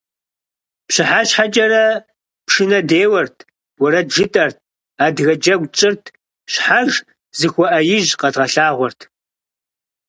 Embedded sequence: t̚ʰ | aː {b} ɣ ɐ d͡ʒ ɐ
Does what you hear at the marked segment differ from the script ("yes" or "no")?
yes